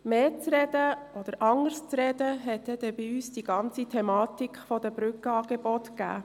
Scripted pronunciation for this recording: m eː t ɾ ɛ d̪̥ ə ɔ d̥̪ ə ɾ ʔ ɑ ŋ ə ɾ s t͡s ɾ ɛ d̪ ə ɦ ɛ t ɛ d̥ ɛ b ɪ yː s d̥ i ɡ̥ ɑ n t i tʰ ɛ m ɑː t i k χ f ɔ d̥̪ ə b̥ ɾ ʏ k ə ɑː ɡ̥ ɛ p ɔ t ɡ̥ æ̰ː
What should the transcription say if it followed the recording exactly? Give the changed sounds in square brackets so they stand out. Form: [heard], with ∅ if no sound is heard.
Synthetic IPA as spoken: m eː [t͡s] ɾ ɛ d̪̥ ə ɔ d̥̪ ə ɾ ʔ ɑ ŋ ə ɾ s t͡s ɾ ɛ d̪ ə ɦ ɛ t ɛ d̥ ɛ b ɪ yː s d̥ i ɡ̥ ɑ n [t͡s] i tʰ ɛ m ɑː t i k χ f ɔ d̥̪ ə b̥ ɾ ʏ k ə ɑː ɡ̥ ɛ [b] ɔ t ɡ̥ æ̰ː